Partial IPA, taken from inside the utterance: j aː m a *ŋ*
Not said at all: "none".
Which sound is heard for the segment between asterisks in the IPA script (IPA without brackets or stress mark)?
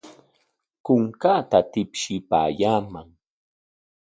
ŋ